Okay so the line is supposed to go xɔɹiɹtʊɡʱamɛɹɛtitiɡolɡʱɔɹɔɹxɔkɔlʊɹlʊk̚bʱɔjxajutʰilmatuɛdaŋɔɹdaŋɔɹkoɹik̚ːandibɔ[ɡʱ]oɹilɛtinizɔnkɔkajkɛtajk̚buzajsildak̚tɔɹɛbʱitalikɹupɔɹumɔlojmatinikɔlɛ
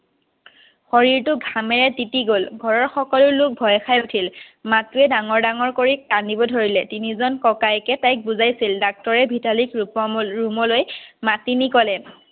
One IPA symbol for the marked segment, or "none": dʱ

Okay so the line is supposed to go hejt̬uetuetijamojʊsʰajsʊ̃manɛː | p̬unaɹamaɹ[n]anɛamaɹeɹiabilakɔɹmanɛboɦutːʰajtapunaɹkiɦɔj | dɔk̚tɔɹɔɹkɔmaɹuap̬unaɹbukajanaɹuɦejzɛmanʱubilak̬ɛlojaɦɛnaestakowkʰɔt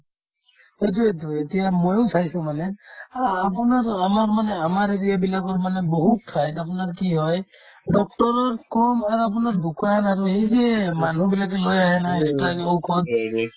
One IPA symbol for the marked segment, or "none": m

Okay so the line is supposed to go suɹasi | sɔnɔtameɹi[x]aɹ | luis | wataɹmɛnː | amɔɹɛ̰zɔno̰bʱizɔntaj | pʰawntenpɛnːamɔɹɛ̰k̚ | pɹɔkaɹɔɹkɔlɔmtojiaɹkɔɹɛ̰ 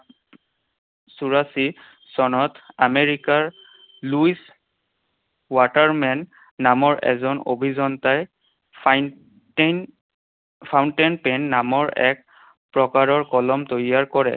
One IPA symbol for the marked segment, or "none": k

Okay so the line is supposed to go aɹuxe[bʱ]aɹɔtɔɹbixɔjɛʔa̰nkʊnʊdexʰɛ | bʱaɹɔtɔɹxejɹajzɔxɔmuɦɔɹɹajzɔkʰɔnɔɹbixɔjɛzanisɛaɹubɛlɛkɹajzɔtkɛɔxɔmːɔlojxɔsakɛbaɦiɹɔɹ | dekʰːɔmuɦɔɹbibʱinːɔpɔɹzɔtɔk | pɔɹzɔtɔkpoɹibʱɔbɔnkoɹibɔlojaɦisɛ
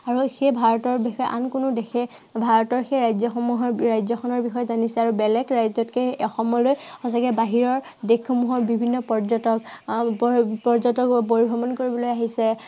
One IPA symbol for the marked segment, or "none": bʱ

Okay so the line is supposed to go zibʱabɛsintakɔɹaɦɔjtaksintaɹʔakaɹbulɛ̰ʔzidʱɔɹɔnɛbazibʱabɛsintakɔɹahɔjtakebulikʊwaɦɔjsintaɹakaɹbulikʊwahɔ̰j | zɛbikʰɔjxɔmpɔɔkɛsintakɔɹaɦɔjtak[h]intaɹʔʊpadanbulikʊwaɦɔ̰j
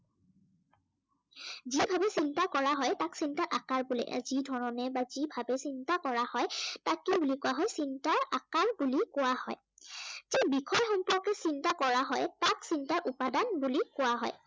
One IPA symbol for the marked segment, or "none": s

